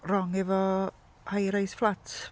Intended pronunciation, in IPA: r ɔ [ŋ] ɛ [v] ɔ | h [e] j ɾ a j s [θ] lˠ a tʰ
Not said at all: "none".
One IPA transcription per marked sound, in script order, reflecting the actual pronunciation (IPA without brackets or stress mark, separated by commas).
ŋ, v, a, f